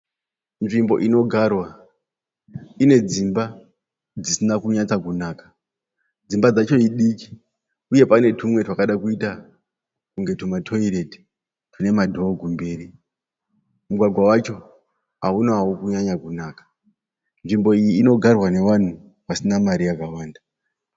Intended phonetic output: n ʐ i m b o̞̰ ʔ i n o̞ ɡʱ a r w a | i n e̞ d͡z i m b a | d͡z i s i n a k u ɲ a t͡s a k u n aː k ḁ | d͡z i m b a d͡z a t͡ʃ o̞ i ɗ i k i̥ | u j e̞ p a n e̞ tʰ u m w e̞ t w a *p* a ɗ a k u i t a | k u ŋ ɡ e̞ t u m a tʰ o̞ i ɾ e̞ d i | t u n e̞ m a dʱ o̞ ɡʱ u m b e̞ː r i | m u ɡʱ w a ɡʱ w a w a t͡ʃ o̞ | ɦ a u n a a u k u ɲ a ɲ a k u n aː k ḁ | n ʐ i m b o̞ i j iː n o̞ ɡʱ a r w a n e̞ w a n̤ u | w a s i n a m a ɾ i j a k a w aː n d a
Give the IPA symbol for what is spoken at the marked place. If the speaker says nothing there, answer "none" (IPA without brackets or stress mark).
k